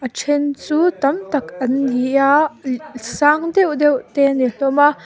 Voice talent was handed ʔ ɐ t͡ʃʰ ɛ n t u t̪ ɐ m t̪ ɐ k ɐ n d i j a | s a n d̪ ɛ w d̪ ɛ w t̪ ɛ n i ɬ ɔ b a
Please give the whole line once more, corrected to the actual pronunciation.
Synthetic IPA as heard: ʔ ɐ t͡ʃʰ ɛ n t͡s u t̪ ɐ m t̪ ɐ k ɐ n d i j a | s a ŋ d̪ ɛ w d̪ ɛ w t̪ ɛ n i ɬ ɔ m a